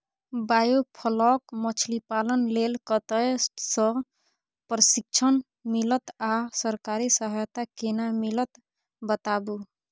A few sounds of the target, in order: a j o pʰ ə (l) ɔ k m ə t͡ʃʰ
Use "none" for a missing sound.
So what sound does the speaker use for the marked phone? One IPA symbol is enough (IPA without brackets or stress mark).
l